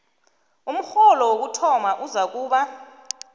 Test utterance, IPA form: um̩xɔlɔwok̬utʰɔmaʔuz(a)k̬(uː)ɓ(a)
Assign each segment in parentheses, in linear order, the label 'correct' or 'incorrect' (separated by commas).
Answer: correct, correct, correct